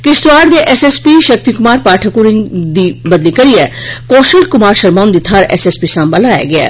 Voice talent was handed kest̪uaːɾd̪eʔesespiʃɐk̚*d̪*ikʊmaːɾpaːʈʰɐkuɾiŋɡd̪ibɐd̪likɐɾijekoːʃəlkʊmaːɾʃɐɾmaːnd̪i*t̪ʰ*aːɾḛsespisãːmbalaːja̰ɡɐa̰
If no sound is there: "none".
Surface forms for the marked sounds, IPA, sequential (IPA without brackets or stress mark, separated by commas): t̪, t̪ʰ